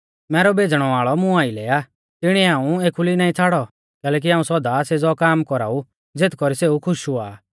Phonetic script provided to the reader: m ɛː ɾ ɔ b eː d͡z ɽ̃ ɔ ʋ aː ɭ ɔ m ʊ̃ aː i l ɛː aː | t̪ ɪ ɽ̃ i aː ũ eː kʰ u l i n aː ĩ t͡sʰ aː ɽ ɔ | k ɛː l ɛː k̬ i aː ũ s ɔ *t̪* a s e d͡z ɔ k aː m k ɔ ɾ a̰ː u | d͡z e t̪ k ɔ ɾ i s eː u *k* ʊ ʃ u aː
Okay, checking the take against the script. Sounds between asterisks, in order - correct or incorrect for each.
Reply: incorrect: d̪, incorrect: kʰ

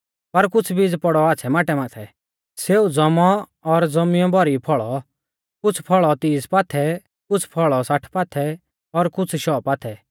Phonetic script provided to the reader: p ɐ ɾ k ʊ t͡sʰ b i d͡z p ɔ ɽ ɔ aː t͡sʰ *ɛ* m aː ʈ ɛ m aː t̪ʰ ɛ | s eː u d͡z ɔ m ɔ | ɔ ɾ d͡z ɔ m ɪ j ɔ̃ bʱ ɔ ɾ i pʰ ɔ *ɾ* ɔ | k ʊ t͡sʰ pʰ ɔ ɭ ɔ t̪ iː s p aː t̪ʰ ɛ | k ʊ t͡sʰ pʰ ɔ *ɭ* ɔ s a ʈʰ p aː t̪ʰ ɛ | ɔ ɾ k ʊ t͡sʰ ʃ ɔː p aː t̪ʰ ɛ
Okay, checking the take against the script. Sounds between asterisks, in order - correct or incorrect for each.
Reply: correct, incorrect: ɭ, correct

